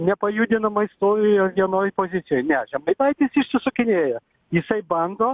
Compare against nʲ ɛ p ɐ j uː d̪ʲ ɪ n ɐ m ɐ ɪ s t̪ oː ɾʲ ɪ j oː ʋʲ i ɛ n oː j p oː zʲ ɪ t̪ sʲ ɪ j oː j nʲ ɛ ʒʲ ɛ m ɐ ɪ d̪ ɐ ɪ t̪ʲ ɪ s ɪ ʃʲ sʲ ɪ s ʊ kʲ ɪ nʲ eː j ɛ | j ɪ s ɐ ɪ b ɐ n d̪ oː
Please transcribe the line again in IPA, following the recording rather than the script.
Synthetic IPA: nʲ ɛ p ɐ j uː d̪ʲ ɪ n ɐ m ɐ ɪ s t̪ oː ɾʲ ɪ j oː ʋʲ i ɛ n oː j p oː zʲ ɪ t̪ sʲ ɪ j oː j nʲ ɛ ʒʲ ɛ m ɐ ɪ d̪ ɐ ɪ t̪ʲ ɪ s ɪ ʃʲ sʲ ɪ s ʊ kʲ ɪ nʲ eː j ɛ | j ɪ s ɐ ɪ b ɐ n d̪ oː

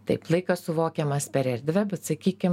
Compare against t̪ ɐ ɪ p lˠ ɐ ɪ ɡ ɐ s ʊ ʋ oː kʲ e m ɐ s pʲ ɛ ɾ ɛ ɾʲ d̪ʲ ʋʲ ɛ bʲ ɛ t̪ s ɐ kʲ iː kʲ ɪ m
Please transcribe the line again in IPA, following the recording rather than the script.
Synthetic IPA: t̪ ɐ ɪ p lˠ ɐ ɪ k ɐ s ʊ ʋ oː kʲ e m ɐ s pʲ ɛ ɾ ɛ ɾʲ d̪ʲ ʋʲ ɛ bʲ ɛ t̪ s ɐ kʲ iː kʲ ɪ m

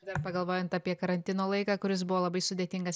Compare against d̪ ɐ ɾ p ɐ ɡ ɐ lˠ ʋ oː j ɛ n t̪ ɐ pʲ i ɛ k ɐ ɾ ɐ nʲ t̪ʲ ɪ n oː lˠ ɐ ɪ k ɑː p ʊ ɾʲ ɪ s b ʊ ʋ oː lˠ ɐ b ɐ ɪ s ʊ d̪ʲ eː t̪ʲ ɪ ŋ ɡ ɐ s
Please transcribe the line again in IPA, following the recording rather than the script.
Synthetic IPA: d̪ ɐ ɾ p ɐ ɡ ɐ lˠ ʋ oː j ɛ n t̪ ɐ pʲ i ɛ k ɐ ɾ ɐ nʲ t̪ʲ ɪ n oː lˠ ɐ ɪ k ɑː k ʊ ɾʲ ɪ s b ʊ ʋ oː lˠ ɐ b ɐ ɪ s ʊ d̪ʲ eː t̪ʲ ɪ ŋ ɡ ɐ s

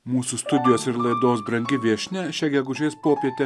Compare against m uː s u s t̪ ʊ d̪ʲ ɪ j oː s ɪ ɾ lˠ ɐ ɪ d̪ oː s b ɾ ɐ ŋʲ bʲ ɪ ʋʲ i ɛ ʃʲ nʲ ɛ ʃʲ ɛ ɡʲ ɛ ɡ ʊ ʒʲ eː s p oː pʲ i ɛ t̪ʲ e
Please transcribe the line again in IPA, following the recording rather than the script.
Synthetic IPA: m uː s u s t̪ ʊ d̪ʲ ɪ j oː s ɪ ɾ lˠ ɐ ɪ d̪ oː s b ɾ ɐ ŋʲ ɡʲ ɪ ʋʲ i ɛ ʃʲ nʲ ɛ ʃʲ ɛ ɡʲ ɛ ɡ ʊ ʒʲ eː s p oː pʲ i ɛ t̪ʲ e

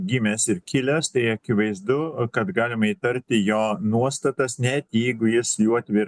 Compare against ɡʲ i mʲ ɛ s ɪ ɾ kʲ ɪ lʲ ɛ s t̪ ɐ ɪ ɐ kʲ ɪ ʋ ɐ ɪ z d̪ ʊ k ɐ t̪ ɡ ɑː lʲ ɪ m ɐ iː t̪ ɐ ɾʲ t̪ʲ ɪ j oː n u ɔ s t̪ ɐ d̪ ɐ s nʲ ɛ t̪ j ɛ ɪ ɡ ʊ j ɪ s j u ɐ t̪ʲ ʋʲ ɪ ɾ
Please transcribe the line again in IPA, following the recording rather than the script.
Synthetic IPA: ɡʲ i mʲ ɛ s ɪ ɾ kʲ ɪ lʲ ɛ s t̪ ɐ ɪ ɐ kʲ ɪ ʋ ɐ ɪ z d̪ ʊ k ɐ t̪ ɡ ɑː lʲ ɪ m ɐ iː t̪ ɐ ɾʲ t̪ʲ ɪ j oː n u ɔ s t̪ ɐ t̪ ɐ s nʲ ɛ t̪ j ɛ ɪ ɡ ʊ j ɪ s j u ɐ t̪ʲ ʋʲ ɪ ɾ

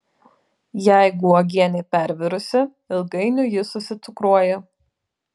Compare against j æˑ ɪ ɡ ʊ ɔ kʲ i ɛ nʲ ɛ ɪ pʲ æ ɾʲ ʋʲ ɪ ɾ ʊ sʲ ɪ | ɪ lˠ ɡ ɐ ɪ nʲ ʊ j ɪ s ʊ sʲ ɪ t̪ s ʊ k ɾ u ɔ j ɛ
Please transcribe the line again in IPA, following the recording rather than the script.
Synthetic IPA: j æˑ ɪ ɡ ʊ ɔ ɡʲ i ɛ nʲ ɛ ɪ pʲ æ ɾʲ ʋʲ ɪ ɾ ʊ sʲ ɪ | ɪ lˠ ɡ ɐ ɪ nʲ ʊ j ɪ s ʊ sʲ ɪ t̪ s ʊ k ɾ u ɔ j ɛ

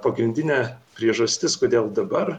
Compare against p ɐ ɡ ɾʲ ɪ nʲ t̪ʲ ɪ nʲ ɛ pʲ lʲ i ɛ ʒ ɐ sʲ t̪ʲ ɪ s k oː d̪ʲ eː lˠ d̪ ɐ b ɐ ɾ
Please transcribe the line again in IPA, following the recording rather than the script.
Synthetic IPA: p ɐ ɡ ɾʲ ɪ nʲ d̪ʲ ɪ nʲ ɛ pʲ ɾʲ i ɛ ʒ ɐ sʲ t̪ʲ ɪ s k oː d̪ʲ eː lˠ d̪ ɐ b ɐ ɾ

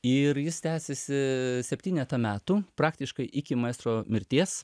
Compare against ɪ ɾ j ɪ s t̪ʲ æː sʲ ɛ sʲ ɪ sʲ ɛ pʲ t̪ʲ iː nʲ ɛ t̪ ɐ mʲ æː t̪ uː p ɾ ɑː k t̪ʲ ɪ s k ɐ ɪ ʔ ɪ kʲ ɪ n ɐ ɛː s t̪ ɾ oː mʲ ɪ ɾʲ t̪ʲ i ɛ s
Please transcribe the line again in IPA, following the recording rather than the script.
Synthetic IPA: ɪ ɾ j ɪ s t̪ʲ æː sʲ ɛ sʲ ɪ sʲ ɛ pʲ t̪ʲ iː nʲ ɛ t̪ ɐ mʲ æː t̪ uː p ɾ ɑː k t̪ʲ ɪ ʃ k ɐ ɪ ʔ ɪ kʲ ɪ m ɐ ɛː s t̪ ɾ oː mʲ ɪ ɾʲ t̪ʲ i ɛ s

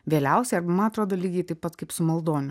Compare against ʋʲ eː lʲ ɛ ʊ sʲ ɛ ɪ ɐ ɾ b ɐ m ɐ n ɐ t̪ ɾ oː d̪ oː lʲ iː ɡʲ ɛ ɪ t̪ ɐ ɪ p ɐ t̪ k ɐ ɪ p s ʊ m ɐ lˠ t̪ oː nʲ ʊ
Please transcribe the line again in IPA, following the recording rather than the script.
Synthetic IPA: ʋʲ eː lʲ ɛ ʊ sʲ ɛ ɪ ɐ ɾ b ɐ m ɐ n ɐ t̪ ɾ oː d̪ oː lʲ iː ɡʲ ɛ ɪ t̪ ɐ ɪ p ɐ t̪ k ɐ ɪ p s ʊ m ɐ lˠ d̪ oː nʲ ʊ

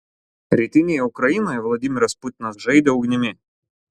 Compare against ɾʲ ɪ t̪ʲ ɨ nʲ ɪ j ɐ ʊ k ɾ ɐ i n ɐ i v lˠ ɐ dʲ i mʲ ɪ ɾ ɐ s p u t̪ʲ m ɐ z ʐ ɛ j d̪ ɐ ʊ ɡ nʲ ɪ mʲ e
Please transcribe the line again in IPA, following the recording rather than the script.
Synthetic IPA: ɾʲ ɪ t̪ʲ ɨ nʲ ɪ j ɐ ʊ k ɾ ɐ i n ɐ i v lˠ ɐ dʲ i mʲ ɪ ɾ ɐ s p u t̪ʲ n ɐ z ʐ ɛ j d̪ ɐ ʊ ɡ nʲ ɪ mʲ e

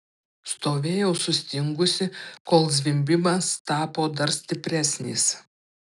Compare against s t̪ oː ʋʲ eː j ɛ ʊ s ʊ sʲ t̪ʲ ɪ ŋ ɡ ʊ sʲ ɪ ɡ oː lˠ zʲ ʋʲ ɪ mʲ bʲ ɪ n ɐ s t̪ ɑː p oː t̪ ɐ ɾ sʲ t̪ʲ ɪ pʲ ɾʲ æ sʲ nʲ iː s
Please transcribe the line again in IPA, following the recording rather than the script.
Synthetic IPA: s t̪ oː ʋʲ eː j ɛ ʊ s ʊ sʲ t̪ʲ ɪ ŋ ɡ ʊ sʲ ɪ k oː lˠ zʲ ʋʲ ɪ mʲ bʲ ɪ m ɐ s t̪ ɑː p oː d̪ ɐ ɾ sʲ t̪ʲ ɪ pʲ ɾʲ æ sʲ nʲ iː s

